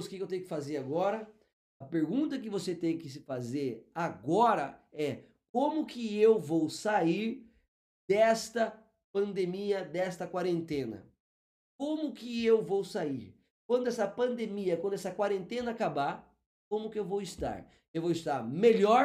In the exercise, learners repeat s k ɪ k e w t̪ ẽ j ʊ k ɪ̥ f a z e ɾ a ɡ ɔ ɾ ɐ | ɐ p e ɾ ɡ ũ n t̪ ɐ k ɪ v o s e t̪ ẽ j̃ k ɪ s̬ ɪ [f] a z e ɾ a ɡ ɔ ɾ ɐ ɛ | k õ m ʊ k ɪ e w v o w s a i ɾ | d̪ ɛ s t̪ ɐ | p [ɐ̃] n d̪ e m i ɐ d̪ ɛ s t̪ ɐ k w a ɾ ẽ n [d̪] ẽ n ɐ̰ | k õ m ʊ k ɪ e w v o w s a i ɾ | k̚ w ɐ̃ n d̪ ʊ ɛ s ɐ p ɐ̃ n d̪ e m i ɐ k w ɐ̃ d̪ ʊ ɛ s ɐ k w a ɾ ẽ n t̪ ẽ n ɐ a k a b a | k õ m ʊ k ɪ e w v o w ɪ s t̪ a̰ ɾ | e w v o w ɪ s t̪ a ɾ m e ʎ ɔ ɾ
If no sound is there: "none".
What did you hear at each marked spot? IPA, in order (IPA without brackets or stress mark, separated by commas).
f, ɐ̃, t̪